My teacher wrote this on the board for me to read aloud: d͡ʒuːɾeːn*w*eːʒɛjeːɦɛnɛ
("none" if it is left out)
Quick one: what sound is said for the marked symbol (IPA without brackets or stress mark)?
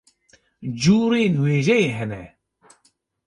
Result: w